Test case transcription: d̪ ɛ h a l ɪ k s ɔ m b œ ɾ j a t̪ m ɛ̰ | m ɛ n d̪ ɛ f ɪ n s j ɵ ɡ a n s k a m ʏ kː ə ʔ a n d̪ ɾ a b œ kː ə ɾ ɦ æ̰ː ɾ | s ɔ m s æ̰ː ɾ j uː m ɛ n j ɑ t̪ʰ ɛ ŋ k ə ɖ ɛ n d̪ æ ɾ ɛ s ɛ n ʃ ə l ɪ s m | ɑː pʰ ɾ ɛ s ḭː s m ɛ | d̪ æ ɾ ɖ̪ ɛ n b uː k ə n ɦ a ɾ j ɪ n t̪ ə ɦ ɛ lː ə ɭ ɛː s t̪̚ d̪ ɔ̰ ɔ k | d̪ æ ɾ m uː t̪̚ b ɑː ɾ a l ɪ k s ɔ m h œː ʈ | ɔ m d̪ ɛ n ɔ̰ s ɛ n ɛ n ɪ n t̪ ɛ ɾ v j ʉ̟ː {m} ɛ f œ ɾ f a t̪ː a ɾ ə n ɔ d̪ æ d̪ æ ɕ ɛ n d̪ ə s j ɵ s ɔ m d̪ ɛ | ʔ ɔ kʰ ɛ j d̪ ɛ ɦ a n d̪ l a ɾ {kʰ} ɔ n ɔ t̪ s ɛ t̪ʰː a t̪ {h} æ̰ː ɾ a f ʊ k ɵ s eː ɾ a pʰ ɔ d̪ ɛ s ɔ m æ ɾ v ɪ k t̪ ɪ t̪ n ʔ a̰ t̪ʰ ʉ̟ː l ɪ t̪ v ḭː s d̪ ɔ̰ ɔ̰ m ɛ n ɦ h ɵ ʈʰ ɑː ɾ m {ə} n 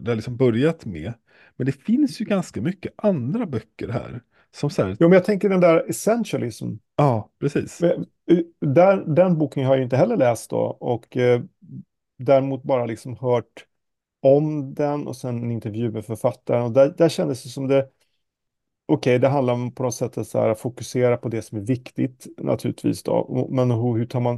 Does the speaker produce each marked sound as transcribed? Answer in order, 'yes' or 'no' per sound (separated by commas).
yes, no, no, no